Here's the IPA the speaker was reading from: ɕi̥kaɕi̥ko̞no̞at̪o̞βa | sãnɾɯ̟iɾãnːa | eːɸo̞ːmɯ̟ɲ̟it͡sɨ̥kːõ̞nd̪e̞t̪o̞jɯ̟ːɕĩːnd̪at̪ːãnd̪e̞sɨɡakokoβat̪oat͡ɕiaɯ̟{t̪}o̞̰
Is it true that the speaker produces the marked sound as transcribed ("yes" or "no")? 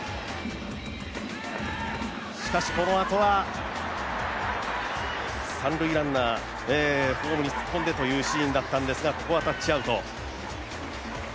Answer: yes